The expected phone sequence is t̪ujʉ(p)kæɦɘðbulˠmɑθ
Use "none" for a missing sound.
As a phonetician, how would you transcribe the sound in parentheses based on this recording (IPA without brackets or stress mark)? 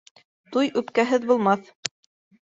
p